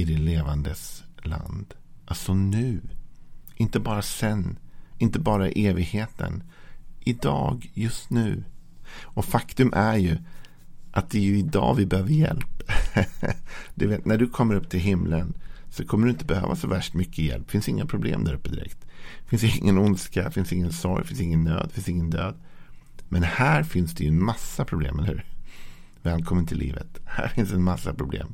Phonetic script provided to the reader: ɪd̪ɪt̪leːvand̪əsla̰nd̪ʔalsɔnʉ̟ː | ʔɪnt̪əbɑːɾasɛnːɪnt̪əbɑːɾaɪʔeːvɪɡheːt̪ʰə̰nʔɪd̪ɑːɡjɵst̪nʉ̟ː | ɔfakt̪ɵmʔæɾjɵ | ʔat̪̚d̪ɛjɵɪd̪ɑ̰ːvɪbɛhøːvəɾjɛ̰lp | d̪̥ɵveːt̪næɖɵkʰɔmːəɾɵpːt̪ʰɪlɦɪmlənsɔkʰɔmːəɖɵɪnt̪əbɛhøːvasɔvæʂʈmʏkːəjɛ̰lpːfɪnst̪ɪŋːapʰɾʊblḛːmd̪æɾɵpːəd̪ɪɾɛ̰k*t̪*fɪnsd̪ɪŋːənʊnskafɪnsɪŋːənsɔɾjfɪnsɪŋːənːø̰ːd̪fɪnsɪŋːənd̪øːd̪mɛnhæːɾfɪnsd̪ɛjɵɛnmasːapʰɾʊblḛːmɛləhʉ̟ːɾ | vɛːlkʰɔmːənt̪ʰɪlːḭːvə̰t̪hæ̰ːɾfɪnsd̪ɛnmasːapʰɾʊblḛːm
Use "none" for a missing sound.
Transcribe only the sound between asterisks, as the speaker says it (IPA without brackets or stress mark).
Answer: t̪